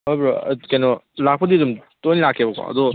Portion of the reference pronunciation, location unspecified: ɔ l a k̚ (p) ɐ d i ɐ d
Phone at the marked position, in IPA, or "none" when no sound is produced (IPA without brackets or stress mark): p